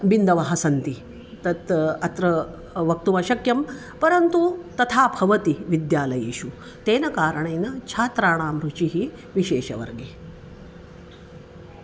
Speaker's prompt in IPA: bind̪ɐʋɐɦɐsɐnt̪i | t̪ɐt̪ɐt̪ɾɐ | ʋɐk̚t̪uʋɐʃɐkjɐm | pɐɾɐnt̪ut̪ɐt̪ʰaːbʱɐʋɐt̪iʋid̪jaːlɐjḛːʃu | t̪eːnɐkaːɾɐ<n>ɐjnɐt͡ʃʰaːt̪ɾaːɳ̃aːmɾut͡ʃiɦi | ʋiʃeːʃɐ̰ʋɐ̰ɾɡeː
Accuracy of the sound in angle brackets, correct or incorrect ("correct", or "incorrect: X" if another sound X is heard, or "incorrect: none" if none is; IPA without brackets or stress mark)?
incorrect: ɳ